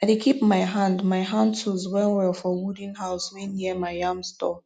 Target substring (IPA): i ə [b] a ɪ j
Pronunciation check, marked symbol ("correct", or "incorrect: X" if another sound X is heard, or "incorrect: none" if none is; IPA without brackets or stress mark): incorrect: m